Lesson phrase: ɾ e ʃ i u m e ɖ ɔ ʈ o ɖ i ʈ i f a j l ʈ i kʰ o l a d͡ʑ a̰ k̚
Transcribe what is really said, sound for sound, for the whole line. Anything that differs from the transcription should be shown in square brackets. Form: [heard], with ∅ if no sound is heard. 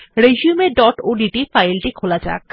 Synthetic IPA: ɾ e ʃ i u m e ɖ ɔ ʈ o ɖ i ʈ i f a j l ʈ i kʰ o l a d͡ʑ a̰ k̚

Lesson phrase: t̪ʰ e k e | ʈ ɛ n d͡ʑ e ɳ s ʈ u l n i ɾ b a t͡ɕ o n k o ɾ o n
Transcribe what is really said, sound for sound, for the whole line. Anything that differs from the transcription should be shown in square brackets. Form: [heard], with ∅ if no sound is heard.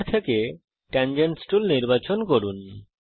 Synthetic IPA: t̪ʰ e k e | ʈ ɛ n d͡ʑ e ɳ s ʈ u l n i ɾ b a t͡ɕ o n k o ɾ [u] n

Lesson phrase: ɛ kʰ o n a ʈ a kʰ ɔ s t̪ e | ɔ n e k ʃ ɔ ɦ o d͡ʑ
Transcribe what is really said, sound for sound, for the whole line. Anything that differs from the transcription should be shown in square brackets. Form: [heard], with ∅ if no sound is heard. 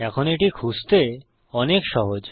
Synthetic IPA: ɛ kʰ o n [e] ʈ [i] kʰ [u] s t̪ e | ɔ n e k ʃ ɔ ɦ o d͡ʑ

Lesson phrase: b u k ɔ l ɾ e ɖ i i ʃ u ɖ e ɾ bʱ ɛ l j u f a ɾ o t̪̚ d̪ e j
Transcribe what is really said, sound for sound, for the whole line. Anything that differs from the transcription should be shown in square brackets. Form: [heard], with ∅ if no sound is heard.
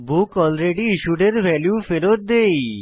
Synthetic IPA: b u k ɔ l ɾ e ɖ i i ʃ u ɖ e ɾ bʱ ɛ l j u f [e] ɾ o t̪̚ d̪ e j

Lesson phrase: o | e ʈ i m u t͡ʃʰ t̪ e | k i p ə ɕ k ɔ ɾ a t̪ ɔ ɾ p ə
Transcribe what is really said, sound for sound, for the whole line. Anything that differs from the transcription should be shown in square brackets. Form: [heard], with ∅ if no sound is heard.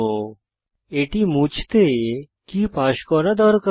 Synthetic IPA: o | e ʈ i m u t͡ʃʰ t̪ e | k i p [a] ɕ k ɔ ɾ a [d̪] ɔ ɾ [k] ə

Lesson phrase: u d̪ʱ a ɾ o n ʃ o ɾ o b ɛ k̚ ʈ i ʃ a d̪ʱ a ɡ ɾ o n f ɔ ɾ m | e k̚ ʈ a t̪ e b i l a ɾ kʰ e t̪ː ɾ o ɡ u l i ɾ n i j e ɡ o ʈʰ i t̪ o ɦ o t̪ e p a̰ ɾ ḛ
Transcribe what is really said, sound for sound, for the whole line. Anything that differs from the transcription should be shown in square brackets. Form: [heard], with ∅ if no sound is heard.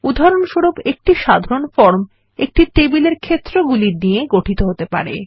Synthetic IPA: u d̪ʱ a ɾ o n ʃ o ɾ o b [e] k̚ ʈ i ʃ a d̪ʱ a [∅] ɾ o n f ɔ ɾ m | e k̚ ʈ [i] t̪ e b i l [e] ɾ kʰ e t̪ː ɾ o ɡ u l i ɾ n i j e ɡ o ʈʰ i t̪ o ɦ o t̪ e p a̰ ɾ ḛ

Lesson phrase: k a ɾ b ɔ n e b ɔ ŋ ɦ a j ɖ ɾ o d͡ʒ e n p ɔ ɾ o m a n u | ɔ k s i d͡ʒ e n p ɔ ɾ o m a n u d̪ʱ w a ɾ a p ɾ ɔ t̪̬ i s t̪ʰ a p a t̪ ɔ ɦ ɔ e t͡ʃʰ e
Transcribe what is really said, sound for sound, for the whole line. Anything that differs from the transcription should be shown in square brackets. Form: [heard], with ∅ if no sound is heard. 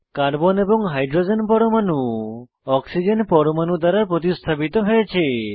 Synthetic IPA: k a ɾ b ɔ n e b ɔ ŋ ɦ a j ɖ ɾ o d͡ʒ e n p ɔ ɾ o m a n u | ɔ k s i d͡ʒ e n p ɔ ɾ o m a n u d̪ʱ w a ɾ a p ɾ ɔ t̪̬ i s t̪ʰ a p [i] t̪ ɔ ɦ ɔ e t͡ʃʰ e

